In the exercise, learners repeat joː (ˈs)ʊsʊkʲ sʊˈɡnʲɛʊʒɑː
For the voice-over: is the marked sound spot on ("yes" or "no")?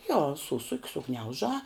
yes